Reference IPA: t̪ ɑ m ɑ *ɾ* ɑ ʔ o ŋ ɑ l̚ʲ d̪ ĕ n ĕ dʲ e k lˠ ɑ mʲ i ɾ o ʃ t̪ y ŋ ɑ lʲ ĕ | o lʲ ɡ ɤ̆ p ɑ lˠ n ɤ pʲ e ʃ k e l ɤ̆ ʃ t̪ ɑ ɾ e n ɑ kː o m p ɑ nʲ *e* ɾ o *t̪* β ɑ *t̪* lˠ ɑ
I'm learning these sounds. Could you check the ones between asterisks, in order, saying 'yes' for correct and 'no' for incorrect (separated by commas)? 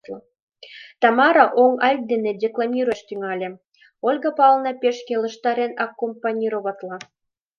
yes, no, no, yes